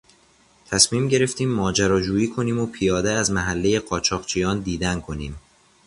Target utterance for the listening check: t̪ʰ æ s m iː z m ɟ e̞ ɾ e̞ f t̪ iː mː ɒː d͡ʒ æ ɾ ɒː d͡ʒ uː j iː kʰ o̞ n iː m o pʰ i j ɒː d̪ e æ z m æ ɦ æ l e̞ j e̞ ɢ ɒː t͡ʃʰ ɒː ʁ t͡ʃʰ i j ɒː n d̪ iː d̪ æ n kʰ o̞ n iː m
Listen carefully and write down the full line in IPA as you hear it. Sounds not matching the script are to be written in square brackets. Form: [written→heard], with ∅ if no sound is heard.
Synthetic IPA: t̪ʰ æ s m iː [z→∅] m ɟ e̞ ɾ e̞ f t̪ iː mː ɒː d͡ʒ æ ɾ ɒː d͡ʒ uː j iː kʰ o̞ n iː m o pʰ i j ɒː d̪ e æ z m æ ɦ æ [l→lː] e̞ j e̞ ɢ ɒː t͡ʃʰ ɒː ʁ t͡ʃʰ i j ɒː n d̪ iː d̪ æ n kʰ o̞ n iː m